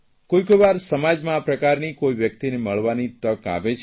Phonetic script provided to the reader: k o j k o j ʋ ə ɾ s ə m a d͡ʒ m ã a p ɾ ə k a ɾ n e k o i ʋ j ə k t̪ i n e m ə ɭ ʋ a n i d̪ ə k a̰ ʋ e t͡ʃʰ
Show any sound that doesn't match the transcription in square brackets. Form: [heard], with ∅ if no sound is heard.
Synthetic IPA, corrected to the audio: k o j k o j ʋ [a] ɾ s ə m a d͡ʒ m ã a p ɾ ə k a ɾ n [i] k o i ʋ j ə k t̪ i n e m ə ɭ ʋ a n i [t̪] ə k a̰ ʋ e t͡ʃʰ